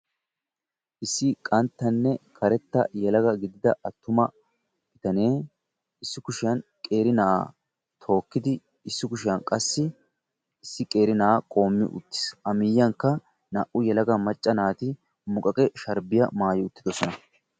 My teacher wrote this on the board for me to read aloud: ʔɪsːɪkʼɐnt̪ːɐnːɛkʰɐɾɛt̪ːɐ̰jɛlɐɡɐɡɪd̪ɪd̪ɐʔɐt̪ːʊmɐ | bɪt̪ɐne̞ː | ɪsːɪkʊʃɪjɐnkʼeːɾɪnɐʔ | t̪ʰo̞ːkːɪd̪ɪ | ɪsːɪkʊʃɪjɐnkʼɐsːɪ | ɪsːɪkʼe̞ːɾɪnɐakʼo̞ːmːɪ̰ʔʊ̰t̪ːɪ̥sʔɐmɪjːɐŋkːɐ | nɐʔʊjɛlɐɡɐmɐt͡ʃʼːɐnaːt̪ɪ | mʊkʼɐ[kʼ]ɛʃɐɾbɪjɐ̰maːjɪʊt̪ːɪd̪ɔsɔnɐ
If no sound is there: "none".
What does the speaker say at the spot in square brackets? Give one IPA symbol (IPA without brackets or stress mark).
kʼ